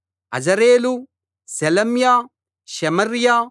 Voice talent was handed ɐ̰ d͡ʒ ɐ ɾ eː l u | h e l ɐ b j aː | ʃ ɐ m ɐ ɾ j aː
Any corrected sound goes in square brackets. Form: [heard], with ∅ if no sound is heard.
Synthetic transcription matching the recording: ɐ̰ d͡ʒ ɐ ɾ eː l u | [s] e l ɐ [m] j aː | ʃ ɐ m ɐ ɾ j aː

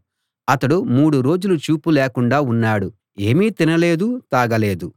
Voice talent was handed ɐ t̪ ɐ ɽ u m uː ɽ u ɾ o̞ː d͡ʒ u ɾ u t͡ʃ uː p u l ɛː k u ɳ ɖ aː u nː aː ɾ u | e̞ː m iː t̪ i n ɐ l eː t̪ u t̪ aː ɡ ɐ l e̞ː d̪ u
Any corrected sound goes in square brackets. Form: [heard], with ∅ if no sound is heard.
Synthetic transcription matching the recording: ɐ t̪ ɐ ɽ u m uː ɽ u ɾ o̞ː d͡ʒ u [l] u t͡ʃ uː p u l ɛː k u ɳ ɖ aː u nː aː [ɽ] u | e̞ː m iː t̪ i n ɐ l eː [d̪] u t̪ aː ɡ ɐ l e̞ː d̪ u

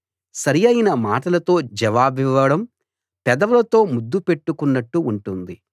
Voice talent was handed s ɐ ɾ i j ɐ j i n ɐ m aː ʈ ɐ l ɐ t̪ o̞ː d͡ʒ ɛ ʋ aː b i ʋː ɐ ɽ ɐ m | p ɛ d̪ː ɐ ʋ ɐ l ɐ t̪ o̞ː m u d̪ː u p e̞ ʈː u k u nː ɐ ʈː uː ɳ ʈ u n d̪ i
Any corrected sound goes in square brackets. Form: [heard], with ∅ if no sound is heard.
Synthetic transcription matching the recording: s ɐ ɾ i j ɐ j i n ɐ m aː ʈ ɐ l ɐ t̪ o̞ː d͡ʒ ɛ ʋ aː b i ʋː ɐ ɽ ɐ m | p ɛ [d̪] ɐ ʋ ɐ l ɐ t̪ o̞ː m u d̪ː u p e̞ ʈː u k u nː ɐ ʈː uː ɳ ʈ u n d̪ i

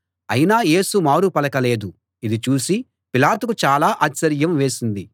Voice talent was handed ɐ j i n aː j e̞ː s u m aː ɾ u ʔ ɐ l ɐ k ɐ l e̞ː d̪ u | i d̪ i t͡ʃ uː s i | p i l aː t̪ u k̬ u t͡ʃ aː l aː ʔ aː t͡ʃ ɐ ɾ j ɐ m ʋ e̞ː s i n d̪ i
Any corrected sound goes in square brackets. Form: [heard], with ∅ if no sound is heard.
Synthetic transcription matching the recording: ɐ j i n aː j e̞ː s u m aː ɾ u [p] ɐ l ɐ k ɐ l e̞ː d̪ u | i d̪ i t͡ʃ uː s i | p i l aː t̪ u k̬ u t͡ʃ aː l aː ʔ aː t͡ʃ ɐ ɾ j ɐ m ʋ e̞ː s i n d̪ i

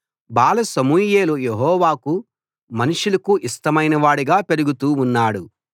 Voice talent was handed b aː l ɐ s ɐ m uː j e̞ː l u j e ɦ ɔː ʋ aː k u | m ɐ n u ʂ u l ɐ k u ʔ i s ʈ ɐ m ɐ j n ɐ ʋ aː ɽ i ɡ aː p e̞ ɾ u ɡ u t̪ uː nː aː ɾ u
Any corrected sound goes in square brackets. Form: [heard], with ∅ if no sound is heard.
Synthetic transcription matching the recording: b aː l ɐ s ɐ m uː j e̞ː l u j e ɦ ɔː ʋ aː k u | m ɐ n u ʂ u l ɐ k u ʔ i s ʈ ɐ m ɐ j n ɐ ʋ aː ɽ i ɡ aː p e̞ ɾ u ɡ u t̪ uː nː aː [ɽ] u

